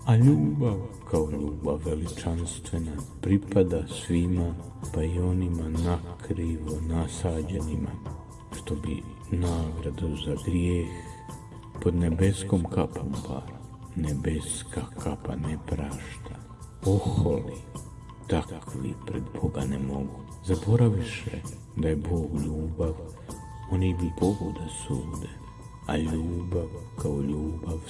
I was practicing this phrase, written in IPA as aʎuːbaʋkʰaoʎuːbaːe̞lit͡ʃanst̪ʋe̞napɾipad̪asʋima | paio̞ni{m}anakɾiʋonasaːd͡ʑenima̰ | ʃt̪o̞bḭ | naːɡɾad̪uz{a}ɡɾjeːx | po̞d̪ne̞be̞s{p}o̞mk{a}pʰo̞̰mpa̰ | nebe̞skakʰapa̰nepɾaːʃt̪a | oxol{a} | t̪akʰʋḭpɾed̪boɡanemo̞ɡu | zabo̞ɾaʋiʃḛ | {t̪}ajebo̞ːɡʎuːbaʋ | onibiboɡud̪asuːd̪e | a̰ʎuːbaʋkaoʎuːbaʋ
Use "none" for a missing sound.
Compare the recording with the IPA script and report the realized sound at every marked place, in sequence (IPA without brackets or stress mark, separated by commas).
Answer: m, a, k, a, i, d̪